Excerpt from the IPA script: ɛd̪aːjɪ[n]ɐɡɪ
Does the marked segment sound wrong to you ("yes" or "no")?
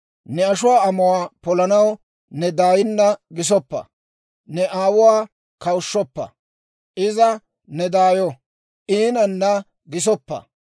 yes